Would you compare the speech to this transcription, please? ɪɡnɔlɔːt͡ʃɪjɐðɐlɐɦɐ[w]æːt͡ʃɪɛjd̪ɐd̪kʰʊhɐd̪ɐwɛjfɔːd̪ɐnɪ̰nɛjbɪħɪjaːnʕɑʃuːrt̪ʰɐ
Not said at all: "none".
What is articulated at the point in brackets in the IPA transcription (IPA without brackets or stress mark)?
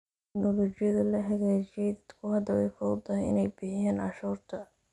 ɣ